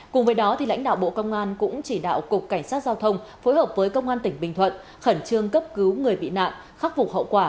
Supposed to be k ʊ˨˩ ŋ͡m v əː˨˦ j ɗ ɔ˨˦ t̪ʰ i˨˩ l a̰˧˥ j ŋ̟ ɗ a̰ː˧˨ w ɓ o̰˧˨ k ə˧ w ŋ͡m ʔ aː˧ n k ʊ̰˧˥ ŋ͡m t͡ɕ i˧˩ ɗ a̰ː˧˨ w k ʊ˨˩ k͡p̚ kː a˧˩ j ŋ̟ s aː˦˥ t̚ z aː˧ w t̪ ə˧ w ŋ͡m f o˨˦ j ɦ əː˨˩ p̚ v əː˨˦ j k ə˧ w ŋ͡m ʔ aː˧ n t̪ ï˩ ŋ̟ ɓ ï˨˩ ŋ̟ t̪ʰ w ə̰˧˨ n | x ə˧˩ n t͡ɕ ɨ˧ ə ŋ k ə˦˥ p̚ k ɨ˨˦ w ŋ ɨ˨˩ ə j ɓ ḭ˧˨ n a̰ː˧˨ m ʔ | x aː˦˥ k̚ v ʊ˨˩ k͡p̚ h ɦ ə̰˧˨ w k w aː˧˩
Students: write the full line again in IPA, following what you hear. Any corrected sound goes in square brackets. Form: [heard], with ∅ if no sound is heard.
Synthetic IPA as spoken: k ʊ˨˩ ŋ͡m v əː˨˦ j ɗ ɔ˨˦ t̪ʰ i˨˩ l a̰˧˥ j ŋ̟ ɗ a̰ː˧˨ w ɓ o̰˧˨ k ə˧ w ŋ͡m ʔ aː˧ n k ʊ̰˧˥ ŋ͡m t͡ɕ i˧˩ ɗ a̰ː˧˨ w k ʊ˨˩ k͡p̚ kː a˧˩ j ŋ̟ s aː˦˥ t̚ z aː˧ w [t̪ʰ] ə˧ w ŋ͡m f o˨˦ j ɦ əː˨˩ p̚ v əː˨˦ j k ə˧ w ŋ͡m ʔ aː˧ n t̪ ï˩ ŋ̟ ɓ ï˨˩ ŋ̟ t̪ʰ w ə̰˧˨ n | x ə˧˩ n t͡ɕ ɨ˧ ə ŋ k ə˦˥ p̚ k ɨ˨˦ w ŋ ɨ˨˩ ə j ɓ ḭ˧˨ n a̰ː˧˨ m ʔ | x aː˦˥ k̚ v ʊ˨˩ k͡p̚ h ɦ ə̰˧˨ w k w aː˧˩